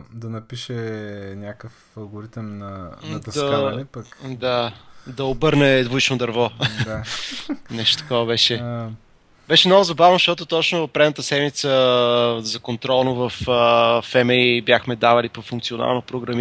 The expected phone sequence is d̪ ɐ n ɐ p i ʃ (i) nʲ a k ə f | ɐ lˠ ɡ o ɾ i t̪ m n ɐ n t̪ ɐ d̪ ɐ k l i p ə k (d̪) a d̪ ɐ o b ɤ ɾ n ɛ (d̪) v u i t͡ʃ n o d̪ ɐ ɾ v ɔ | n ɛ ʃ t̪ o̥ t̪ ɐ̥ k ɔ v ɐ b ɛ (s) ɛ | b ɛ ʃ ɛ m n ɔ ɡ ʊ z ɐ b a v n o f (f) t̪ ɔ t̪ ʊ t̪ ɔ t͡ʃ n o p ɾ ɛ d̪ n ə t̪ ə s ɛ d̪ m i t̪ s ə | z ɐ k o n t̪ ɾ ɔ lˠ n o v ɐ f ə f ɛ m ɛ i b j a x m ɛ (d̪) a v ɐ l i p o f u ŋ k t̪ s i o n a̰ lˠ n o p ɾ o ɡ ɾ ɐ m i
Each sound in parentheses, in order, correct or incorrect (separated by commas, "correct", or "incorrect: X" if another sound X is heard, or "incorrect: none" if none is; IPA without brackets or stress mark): incorrect: ɛ, correct, correct, incorrect: ʃ, incorrect: ʃ, correct